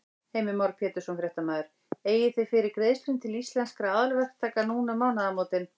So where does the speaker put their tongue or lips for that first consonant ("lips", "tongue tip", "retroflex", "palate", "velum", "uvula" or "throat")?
throat